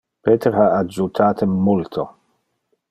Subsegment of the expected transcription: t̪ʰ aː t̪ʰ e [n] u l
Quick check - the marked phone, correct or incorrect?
incorrect